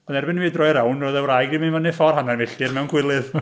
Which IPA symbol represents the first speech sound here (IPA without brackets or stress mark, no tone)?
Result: ɔ